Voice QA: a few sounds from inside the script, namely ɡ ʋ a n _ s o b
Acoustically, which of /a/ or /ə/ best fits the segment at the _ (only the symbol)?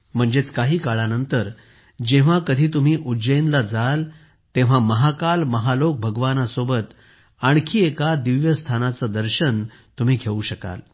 a